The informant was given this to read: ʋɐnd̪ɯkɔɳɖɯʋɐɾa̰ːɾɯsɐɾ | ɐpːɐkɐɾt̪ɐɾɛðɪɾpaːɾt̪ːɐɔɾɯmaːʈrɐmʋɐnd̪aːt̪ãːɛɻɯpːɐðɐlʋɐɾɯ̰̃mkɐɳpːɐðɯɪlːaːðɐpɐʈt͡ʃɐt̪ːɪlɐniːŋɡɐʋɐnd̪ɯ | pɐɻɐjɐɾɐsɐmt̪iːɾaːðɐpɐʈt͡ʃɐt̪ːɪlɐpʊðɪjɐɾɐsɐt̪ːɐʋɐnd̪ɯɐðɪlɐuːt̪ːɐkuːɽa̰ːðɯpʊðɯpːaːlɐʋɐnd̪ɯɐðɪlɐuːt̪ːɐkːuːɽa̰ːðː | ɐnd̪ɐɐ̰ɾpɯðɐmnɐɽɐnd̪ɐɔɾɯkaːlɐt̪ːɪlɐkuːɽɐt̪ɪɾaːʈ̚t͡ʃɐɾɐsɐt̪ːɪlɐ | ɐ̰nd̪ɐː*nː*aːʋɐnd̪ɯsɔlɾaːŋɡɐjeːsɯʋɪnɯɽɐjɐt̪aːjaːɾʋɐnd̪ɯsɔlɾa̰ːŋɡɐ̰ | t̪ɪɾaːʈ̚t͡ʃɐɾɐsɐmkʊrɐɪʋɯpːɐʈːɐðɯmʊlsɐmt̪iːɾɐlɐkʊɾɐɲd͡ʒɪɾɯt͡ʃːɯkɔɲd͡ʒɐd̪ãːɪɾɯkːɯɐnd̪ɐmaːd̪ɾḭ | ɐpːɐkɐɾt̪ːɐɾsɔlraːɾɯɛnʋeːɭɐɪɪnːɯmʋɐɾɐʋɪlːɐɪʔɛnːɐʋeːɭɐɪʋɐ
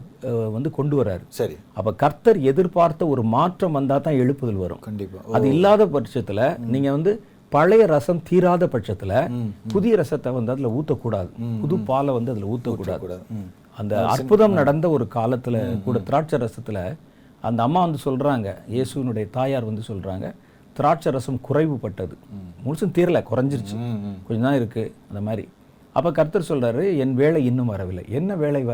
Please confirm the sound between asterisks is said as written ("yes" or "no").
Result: no